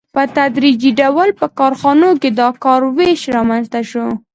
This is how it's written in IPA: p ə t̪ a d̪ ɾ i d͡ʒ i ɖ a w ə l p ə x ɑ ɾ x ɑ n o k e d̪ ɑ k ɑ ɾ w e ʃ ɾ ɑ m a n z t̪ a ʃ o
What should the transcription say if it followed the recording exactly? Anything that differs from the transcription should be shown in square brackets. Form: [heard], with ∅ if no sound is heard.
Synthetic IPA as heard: p ə t̪ a d̪ ɾ i d͡ʒ i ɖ a w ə l p ə [k] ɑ ɾ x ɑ n o k e d̪ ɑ k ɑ ɾ w e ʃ ɾ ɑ m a n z t̪ a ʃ o

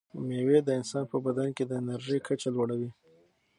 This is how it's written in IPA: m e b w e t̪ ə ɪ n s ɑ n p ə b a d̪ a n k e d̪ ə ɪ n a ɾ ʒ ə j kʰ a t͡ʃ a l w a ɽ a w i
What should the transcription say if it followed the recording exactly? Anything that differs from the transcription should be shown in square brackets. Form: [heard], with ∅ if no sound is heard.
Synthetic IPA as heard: m e [∅] w e [d̪] ə ɪ n s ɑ n p ə b a d̪ a n k e d̪ ə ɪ n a ɾ ʒ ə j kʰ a t͡ʃ a l w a ɽ a w i

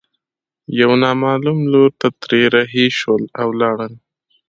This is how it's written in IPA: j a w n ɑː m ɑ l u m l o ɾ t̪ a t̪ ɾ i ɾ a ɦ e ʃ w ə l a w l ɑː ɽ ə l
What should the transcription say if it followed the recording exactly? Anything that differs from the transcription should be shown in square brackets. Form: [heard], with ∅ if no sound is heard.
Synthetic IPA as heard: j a w n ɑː m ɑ l u m l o ɾ t̪ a t̪ ɾ [e] ɾ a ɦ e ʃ w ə l a w l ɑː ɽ ə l

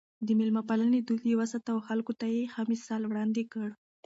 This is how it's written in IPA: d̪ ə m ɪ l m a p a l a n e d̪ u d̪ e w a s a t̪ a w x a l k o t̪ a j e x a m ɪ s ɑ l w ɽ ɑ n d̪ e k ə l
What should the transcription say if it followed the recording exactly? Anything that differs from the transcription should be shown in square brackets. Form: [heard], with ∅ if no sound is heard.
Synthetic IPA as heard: d̪ ə m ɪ l m a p a l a n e d̪ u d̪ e w a s a t̪ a w x a l k o t̪ a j e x a m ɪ s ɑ l w ɽ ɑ n d̪ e k ə [ɽ]

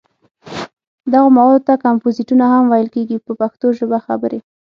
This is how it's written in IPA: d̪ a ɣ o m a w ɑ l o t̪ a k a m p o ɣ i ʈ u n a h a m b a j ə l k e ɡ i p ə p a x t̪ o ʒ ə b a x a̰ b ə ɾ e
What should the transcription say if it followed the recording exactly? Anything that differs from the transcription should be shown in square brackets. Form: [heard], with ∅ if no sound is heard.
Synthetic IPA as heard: d̪ a ɣ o m a w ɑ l o t̪ a k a m p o [z] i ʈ u n a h a m [w] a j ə l k e ɡ i p ə p a x t̪ o ʒ ə b a x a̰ b ə ɾ e

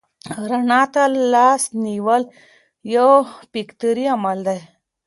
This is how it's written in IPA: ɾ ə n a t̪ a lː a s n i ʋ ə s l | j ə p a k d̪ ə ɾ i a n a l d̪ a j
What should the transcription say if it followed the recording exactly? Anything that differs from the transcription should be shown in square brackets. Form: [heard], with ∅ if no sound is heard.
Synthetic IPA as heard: ɾ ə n a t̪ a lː a s n i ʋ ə [∅] l | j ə p [i] k [t̪] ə ɾ i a [m] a l d̪ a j

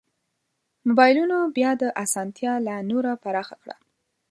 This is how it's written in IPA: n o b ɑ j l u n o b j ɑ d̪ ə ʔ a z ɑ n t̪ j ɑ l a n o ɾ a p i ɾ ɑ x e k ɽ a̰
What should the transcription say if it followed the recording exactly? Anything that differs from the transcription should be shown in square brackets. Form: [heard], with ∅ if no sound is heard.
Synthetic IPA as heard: [m] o b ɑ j l u n o b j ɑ d̪ ə ʔ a [s] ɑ n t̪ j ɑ l a n o ɾ a p [a] ɾ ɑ x [a] k ɽ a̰

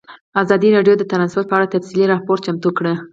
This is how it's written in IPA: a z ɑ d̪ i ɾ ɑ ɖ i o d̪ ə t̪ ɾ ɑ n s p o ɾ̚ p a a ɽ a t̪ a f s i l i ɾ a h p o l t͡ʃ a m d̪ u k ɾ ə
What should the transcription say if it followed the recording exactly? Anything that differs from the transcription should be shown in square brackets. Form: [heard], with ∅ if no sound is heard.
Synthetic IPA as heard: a z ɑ d̪ i ɾ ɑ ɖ [j] o d̪ ə t̪ ɾ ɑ n s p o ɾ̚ p [ə] a ɽ a t̪ a f s i l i ɾ [ɑ] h p o [ɾ] t͡ʃ a m [t̪] u k [ɽ] ə

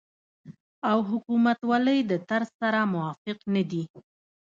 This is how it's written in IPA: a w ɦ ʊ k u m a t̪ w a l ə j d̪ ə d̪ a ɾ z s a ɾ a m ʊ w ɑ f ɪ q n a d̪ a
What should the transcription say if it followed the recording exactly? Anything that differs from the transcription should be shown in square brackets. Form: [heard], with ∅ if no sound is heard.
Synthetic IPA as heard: a w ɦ ʊ k u m a t̪ w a l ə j d̪ ə [t̪] a ɾ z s a ɾ a m ʊ w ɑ f ɪ q n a d̪ [i]

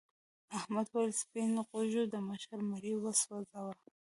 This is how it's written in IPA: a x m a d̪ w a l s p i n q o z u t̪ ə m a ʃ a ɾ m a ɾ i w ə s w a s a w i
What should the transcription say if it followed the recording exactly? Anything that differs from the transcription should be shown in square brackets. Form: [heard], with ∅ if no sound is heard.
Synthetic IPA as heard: a [h] m a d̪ w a l s p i n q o [ʒ] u [d̪] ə m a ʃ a ɾ m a ɾ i w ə s w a [z] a w [a]

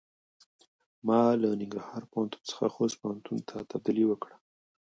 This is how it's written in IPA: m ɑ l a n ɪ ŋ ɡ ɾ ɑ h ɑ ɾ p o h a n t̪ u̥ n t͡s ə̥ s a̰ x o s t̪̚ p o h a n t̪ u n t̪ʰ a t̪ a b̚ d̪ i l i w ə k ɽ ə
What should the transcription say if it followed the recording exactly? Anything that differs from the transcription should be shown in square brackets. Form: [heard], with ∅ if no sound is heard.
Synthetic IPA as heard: m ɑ l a n ɪ ŋ ɡ ɾ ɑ h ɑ ɾ p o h a n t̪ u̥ n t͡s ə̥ [x] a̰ x o s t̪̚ p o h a n t̪ u n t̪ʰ a t̪ a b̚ d̪ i l i w ə k ɽ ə

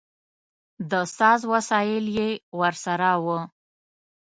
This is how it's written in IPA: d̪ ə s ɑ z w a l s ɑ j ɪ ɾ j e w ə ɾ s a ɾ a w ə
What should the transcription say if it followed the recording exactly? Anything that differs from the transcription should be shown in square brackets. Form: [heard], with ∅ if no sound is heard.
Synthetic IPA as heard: d̪ ə s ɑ z w a [∅] s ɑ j ɪ [l] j e w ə ɾ s a ɾ a w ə

